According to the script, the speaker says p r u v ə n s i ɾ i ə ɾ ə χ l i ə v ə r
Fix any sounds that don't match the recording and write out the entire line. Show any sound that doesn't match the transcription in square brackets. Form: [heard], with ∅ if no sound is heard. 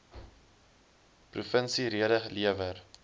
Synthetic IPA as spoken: p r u [f] ə n s i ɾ i ə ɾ ə χ l i ə v ə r

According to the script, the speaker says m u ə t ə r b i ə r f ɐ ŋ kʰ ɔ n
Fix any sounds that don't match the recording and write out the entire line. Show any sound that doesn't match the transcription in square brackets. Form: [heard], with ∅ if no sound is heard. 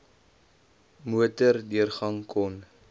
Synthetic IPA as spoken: m u ə t ə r [d] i ə r [χ] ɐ ŋ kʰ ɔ n

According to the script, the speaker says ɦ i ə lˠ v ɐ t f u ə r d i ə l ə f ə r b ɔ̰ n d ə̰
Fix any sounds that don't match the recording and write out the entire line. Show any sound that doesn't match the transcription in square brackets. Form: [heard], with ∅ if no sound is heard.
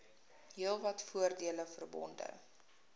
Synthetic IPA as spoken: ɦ i ə lˠ v ɐ t f u ə r d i ə l ə f ə r b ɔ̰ n d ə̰

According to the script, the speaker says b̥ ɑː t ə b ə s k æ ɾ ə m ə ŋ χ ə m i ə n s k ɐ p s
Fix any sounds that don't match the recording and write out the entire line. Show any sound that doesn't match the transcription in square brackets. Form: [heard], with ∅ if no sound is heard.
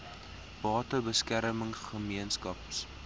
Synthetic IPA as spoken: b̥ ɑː t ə b ə s k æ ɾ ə m ə ŋ χ ə m i ə n s k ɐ p s

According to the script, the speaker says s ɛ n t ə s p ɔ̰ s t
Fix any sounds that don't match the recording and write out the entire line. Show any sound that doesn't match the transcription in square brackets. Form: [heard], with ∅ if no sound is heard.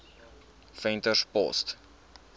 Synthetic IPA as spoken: [f] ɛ n t ə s p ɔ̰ s t

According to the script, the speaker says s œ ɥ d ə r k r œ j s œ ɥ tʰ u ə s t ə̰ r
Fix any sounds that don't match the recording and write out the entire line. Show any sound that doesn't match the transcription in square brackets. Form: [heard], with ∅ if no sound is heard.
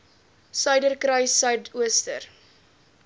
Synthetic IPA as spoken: s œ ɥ d ə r k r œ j s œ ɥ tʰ u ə s t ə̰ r

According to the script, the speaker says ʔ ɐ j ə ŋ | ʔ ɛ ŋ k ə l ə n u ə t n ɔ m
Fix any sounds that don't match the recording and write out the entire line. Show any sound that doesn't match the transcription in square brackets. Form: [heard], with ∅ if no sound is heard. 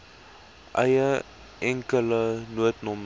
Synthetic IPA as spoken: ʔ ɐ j ə [∅] | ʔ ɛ ŋ k ə l ə n u ə t n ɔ m

